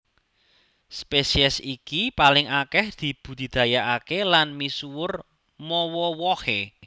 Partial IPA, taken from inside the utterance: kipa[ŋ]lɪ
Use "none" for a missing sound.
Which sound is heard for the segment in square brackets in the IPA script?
none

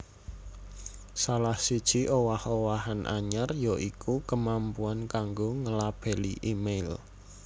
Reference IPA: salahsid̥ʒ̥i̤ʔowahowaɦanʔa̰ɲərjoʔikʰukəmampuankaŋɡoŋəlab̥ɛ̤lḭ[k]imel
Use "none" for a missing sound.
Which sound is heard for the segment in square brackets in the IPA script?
ʔ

